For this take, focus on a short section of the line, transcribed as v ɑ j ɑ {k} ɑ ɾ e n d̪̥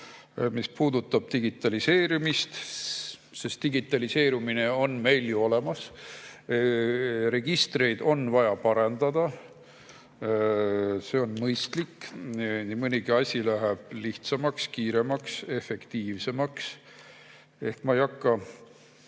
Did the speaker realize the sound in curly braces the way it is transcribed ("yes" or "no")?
no